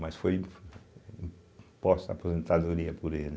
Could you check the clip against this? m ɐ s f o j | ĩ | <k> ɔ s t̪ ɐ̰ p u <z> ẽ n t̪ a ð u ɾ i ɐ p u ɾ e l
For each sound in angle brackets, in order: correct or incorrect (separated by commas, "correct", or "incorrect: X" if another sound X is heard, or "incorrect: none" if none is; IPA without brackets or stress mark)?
incorrect: p, correct